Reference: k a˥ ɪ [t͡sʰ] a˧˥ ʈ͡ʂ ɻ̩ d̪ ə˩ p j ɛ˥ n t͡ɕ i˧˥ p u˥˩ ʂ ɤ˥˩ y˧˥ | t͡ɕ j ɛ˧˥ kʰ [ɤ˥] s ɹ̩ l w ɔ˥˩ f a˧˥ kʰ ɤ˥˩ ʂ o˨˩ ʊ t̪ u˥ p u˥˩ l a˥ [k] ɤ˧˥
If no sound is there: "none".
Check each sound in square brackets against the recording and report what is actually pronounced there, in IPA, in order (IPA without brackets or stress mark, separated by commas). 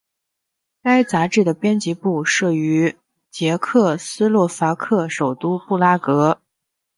t͡s, ɤ˥˩, k